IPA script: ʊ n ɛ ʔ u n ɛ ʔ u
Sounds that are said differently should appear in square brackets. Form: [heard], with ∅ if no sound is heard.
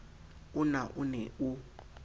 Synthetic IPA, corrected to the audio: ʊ n [a] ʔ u n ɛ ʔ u